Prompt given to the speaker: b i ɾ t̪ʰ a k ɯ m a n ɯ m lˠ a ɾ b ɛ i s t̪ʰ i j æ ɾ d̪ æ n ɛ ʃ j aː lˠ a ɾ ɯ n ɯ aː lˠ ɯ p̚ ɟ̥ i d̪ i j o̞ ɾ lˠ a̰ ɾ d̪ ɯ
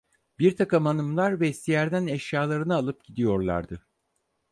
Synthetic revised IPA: b i ɾ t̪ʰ a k ɯ m a n ɯ m lˠ a ɾ v ɛ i s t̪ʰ i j æ ɾ d̪ æ n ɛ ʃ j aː lˠ a ɾ ɯ n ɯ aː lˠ ɯ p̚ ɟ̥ i d̪ i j o̞ ɾ lˠ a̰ ɾ d̪ ɯ